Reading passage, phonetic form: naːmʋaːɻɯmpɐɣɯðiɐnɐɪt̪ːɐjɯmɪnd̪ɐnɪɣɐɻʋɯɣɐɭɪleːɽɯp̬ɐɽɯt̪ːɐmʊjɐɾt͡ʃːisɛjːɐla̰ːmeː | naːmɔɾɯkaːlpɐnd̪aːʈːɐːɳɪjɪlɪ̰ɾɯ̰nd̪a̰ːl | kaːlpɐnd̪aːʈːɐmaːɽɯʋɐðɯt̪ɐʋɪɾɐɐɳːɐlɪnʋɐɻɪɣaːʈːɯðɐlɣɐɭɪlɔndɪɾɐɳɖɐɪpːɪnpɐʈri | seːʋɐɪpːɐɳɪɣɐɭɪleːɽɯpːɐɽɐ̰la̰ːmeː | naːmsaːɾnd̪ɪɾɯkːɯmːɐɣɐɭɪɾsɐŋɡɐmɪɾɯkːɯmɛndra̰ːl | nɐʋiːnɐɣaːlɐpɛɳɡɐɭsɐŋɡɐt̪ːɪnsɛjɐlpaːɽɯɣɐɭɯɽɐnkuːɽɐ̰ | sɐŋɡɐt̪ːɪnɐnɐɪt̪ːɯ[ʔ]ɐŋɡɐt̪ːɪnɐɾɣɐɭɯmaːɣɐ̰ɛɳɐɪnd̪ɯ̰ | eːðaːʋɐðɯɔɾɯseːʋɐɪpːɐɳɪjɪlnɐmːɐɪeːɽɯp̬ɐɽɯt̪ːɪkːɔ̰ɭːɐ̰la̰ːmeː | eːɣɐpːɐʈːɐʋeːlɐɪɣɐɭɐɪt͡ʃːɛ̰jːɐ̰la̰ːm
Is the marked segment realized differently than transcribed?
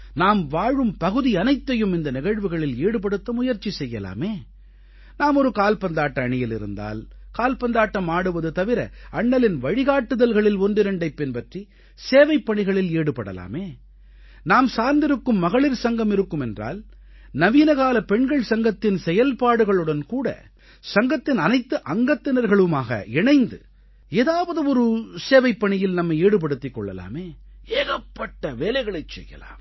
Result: no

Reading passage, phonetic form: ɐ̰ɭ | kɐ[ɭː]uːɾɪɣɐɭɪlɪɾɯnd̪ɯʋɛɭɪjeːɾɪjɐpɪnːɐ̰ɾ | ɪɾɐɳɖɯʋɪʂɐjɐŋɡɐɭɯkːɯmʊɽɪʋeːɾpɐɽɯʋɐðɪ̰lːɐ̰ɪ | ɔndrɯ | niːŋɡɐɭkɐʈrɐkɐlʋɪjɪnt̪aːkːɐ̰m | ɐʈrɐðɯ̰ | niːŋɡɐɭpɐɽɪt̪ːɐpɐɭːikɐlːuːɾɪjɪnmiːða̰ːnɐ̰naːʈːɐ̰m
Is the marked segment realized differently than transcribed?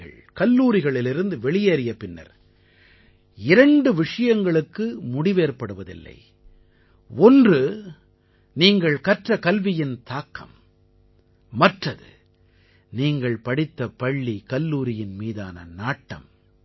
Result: yes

